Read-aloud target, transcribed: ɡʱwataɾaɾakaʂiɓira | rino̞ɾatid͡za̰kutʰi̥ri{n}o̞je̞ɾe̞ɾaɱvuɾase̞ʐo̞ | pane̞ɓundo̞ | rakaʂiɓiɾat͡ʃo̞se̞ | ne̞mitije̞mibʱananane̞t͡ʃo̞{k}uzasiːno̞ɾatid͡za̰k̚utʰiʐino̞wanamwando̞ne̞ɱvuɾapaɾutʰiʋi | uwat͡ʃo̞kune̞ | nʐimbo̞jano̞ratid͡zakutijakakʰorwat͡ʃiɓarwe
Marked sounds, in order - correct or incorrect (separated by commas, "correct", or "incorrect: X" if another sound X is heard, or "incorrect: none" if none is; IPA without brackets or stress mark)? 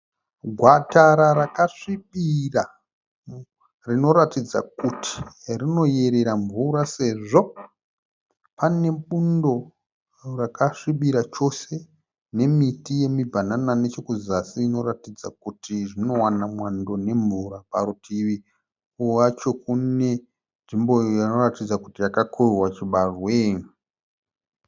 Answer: correct, correct